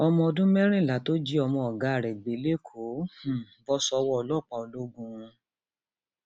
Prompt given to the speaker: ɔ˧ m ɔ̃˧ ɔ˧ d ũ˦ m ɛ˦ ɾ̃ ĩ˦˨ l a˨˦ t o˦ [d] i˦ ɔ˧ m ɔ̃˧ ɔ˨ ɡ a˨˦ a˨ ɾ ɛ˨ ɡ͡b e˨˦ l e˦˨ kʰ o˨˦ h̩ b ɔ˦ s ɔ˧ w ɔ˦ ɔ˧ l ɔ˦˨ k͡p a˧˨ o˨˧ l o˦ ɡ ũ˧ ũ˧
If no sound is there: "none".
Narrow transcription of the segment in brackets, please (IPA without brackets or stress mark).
d͡ʒ